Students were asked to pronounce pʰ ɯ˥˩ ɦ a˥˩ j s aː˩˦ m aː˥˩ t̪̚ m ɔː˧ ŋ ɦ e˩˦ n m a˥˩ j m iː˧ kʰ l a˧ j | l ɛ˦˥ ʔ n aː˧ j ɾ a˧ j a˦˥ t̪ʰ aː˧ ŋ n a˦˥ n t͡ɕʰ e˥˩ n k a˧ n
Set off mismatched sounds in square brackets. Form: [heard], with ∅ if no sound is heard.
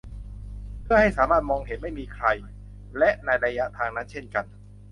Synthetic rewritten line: pʰ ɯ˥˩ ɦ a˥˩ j s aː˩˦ m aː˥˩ t̪̚ m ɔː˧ ŋ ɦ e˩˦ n m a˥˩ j m iː˧ kʰ [ɾ] a˧ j | l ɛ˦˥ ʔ n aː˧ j ɾ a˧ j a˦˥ t̪ʰ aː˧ ŋ n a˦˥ n t͡ɕʰ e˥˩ n k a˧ n